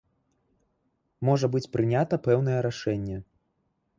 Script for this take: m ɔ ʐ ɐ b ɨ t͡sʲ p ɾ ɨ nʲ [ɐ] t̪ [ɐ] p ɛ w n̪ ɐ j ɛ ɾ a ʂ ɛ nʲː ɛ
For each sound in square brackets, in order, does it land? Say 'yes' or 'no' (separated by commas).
no, yes